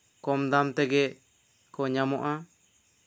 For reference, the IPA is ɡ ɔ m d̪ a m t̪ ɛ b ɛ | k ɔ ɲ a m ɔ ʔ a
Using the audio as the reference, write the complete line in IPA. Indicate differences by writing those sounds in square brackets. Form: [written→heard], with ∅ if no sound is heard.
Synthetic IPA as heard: [ɡ→k] ɔ m d̪ a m t̪ ɛ [b→ɡ] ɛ | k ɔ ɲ a m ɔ ʔ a